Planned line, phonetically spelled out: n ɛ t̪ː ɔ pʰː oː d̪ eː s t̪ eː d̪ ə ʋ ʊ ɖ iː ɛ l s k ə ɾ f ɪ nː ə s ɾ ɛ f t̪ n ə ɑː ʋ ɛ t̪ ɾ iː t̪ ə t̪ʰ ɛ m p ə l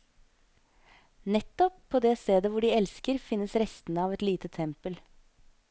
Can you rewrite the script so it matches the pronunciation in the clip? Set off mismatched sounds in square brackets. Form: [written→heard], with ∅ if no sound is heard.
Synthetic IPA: n ɛ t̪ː ɔ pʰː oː d̪ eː s t̪ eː d̪ ə ʋ ʊ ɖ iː ɛ l s k ə ɾ f ɪ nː ə s ɾ ɛ [f→s] t̪ n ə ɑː ʋ ɛ t̪ [ɾ→l] iː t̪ ə t̪ʰ ɛ m p ə l